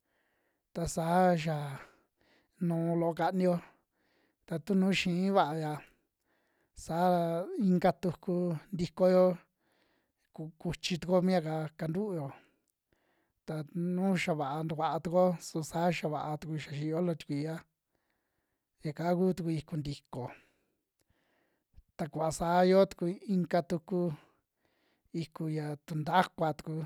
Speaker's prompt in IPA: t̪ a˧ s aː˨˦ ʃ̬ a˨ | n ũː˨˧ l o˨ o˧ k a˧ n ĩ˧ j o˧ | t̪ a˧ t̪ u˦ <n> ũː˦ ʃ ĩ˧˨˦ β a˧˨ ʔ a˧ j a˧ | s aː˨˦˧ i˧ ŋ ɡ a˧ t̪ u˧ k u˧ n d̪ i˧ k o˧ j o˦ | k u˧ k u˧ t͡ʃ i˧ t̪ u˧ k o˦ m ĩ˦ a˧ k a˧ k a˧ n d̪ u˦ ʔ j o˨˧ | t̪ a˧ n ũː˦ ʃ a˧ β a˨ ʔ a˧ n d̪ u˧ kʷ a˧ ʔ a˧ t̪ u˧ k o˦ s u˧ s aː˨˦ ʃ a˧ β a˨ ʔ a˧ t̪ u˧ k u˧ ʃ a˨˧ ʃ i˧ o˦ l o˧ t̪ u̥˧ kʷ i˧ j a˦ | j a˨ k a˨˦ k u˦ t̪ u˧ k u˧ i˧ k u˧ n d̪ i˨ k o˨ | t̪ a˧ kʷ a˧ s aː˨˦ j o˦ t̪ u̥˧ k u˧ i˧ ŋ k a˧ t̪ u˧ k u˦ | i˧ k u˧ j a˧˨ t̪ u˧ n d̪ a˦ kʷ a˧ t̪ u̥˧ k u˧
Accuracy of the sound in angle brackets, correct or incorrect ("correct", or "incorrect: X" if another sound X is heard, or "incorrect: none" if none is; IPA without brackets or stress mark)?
correct